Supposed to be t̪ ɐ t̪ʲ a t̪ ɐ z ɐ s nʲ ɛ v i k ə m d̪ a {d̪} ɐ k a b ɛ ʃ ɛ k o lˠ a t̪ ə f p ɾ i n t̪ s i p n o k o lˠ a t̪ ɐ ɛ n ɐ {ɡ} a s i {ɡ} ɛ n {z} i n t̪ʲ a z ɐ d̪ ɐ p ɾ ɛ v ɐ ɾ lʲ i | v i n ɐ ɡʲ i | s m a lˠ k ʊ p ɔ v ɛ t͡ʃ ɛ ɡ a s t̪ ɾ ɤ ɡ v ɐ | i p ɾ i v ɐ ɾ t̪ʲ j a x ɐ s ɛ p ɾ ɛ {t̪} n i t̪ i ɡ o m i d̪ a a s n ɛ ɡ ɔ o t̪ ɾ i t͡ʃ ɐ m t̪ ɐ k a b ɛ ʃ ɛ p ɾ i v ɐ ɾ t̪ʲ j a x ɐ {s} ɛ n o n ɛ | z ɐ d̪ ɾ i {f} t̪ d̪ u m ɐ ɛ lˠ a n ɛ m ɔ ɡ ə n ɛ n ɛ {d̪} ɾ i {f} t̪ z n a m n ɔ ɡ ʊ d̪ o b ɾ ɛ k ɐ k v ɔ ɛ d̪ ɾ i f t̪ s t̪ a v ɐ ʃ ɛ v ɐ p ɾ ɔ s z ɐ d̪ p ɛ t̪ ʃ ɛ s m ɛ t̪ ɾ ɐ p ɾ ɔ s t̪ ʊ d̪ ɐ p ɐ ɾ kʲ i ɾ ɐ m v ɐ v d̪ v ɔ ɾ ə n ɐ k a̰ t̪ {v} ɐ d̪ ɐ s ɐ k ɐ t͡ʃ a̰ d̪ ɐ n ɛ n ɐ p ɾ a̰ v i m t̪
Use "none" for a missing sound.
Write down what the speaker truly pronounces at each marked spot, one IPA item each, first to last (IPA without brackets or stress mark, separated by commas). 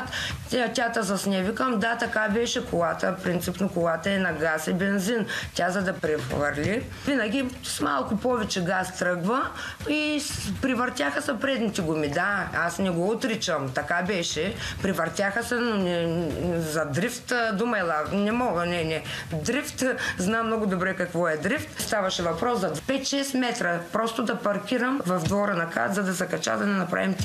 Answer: t̪, ɡ, b, z, d̪, s, f, d̪, f, z